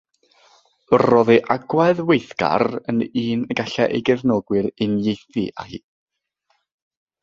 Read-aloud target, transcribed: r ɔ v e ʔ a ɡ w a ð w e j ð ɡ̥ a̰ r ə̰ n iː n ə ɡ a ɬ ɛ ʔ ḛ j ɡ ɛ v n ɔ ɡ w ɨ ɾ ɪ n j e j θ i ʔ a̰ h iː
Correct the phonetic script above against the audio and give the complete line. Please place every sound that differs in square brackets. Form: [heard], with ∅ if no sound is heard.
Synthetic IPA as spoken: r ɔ [ð] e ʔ a ɡ w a ð w e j [θ] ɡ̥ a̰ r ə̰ n iː n ə ɡ a ɬ ɛ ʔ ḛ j ɡ ɛ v n ɔ ɡ w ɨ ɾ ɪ n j e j θ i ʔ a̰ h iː